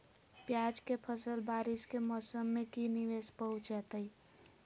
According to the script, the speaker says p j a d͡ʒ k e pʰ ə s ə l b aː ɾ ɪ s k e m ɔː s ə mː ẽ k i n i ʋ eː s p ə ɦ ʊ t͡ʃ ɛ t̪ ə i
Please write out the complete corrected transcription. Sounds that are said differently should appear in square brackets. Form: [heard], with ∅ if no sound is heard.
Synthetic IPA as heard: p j a d͡ʒ k e pʰ ə s ə l b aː ɾ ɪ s k e m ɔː s ə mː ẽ k i n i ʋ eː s p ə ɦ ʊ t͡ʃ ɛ t̪ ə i